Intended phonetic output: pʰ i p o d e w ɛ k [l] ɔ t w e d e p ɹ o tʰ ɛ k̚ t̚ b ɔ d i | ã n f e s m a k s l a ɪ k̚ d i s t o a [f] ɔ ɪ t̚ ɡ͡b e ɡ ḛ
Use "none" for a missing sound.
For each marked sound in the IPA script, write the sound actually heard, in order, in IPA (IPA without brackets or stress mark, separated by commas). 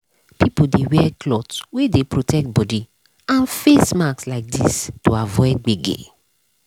l, v